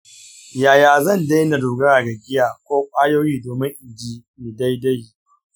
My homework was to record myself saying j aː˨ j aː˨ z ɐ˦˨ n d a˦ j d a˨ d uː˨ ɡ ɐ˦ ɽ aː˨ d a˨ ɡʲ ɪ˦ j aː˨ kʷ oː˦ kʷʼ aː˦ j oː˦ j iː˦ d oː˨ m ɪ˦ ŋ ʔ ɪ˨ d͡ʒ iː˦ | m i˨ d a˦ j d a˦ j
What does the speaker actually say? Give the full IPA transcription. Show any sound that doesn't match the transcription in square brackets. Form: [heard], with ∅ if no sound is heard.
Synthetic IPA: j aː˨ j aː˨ z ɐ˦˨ n d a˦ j [n] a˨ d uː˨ ɡ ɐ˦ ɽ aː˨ [ɡ] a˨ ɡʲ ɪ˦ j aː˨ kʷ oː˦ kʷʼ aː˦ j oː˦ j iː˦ d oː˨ m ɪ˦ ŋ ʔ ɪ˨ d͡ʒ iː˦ | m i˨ d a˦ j d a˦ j